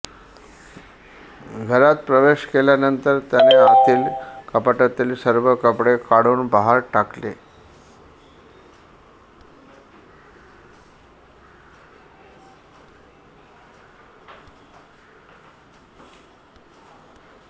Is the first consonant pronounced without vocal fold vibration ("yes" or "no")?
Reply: no